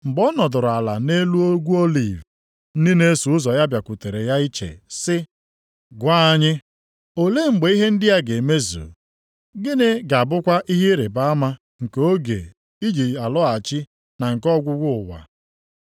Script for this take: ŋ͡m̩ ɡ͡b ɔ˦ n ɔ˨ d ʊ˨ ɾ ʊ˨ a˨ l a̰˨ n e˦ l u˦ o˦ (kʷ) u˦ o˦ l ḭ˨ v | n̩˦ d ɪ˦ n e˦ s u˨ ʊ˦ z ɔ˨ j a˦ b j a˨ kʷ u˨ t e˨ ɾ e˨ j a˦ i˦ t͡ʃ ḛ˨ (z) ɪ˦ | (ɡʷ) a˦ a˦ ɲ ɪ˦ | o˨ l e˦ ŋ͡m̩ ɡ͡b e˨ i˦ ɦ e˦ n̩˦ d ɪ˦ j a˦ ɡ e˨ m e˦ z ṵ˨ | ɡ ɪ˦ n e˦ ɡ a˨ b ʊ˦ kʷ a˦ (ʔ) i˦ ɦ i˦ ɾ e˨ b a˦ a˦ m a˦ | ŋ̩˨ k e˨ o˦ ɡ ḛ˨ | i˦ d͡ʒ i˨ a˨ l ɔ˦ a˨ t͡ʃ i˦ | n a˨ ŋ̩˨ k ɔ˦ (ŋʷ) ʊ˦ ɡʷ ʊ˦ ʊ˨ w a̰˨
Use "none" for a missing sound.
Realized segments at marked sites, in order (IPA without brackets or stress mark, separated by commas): ɡʷ, s, ɡʷ, ʔ, ɡʷ